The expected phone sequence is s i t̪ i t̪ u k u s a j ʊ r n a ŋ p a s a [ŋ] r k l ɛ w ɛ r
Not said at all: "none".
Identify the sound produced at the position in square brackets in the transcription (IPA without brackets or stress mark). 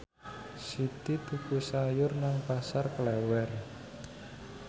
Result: none